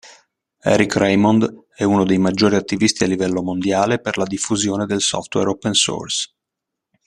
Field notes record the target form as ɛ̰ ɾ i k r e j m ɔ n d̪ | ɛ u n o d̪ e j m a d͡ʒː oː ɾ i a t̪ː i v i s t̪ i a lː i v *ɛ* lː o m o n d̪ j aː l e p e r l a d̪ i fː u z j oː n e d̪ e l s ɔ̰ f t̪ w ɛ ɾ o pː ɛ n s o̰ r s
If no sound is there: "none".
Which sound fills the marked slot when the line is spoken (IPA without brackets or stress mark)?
ɛ